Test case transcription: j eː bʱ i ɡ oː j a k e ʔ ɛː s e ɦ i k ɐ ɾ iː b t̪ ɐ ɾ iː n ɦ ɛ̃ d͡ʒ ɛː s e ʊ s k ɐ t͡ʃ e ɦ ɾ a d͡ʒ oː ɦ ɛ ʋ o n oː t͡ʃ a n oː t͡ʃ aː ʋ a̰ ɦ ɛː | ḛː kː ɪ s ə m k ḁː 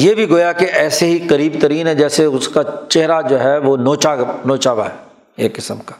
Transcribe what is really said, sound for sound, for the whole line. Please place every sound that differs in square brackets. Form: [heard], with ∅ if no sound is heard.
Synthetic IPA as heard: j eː bʱ i ɡ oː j a k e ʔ ɛː s e ɦ i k ɐ ɾ iː b t̪ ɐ ɾ iː n ɦ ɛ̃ d͡ʒ ɛː s e ʊ s k [a] t͡ʃ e ɦ ɾ a d͡ʒ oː ɦ ɛ ʋ o n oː t͡ʃ a n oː t͡ʃ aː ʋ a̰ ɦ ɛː | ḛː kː ɪ s ə m k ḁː